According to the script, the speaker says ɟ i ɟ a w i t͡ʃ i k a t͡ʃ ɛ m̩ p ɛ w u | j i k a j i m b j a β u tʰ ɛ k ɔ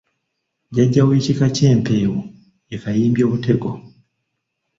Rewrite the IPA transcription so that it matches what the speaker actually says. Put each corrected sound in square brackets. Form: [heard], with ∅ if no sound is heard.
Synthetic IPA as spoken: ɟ [a] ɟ a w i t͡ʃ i k a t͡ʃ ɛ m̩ p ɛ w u | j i k a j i m b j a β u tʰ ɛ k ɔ